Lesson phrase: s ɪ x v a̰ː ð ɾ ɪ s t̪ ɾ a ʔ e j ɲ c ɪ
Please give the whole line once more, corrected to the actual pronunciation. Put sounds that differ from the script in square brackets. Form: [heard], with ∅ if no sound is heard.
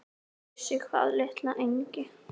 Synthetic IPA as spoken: s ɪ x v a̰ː ð [l] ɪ [h] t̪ [l] a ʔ e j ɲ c ɪ